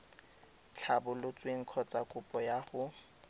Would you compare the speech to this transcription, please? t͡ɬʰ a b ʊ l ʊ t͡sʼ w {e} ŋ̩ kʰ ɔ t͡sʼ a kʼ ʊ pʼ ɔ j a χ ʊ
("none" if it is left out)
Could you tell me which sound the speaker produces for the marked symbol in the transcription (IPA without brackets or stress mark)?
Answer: e